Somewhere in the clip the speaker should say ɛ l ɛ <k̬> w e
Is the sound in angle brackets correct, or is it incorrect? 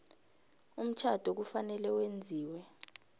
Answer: incorrect